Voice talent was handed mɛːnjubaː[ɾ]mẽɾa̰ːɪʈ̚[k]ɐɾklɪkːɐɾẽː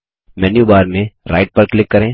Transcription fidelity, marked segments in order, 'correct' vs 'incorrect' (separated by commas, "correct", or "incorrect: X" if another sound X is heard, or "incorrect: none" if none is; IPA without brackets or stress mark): correct, incorrect: p